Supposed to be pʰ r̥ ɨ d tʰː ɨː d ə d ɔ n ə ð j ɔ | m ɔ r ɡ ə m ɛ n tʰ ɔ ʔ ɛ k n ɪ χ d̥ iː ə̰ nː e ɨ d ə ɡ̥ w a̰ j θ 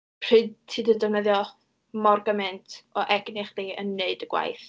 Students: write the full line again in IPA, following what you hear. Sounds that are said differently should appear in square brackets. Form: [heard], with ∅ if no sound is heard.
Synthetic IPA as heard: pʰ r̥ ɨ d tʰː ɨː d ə d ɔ n ə ð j ɔ | m ɔ r ɡ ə m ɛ n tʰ ɔ ʔ ɛ [ɡ] n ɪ χ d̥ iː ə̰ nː e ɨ d ə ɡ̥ w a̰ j θ